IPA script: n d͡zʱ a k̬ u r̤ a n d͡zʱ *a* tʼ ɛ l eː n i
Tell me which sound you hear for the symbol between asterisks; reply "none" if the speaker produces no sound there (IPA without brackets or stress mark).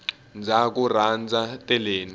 a